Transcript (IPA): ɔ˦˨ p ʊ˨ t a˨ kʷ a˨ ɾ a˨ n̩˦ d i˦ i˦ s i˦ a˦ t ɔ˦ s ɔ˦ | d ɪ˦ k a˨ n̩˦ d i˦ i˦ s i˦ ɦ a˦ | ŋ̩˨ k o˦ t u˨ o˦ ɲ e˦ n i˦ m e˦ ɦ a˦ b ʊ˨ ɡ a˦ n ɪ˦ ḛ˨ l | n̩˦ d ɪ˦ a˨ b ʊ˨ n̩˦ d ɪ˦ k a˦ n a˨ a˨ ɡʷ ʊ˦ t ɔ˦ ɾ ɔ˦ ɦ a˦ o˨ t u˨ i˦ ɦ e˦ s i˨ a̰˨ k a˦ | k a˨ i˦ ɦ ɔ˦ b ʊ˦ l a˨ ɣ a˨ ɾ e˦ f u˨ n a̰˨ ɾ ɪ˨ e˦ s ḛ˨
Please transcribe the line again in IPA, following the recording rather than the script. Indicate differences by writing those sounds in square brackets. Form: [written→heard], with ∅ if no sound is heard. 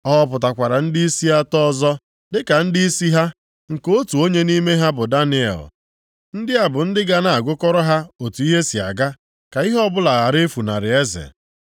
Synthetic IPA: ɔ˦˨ p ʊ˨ t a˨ kʷ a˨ ɾ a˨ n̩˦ d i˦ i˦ s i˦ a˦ t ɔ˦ [s→z] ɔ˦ | d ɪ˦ k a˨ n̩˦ d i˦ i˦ s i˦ ɦ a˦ | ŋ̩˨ k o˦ t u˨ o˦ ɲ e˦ n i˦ m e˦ ɦ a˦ b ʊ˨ [ɡ→d] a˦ n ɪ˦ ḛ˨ l | n̩˦ d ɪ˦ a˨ b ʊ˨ n̩˦ d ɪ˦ [k→ɡ] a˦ n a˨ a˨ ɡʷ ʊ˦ [t→k] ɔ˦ ɾ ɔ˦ ɦ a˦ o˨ t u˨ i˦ ɦ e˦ s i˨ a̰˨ [k→ɡ] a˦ | k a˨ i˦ ɦ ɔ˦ b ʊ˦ l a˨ ɣ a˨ ɾ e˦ f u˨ n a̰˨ ɾ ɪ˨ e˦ [s→z] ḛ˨